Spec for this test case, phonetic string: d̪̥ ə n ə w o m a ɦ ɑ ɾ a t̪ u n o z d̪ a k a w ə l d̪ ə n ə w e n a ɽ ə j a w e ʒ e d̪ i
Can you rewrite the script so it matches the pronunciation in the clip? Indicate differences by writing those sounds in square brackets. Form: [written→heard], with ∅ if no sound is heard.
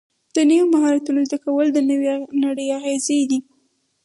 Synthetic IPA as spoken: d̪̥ ə n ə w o m a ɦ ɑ ɾ a t̪ u n o z d̪ a k a w ə l d̪ ə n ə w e n a ɽ ə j a [w→ɣ] e [ʒ→z] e d̪ i